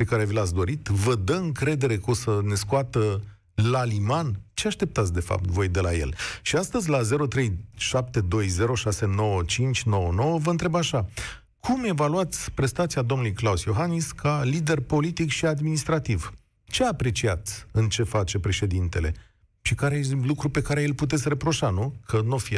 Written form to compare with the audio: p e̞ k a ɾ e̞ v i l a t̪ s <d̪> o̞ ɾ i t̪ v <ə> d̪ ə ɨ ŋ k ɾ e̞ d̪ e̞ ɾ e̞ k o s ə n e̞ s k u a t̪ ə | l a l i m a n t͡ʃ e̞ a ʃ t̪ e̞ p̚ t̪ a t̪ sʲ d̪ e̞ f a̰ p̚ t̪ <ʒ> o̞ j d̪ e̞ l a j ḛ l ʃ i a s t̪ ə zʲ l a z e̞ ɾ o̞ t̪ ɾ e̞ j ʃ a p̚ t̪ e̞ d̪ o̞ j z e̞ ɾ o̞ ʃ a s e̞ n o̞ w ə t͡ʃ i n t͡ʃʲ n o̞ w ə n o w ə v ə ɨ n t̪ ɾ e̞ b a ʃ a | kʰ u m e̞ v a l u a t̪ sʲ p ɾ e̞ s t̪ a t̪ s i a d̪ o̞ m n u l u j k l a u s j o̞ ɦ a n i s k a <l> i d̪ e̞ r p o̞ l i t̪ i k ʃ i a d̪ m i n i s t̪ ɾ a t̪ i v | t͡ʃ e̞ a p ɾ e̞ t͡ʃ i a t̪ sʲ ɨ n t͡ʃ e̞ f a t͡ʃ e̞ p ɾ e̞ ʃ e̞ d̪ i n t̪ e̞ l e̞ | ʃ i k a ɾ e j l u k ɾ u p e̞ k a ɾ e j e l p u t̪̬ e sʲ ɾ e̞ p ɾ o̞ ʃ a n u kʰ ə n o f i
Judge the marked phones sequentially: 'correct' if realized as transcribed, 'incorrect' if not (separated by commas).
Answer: correct, correct, incorrect, correct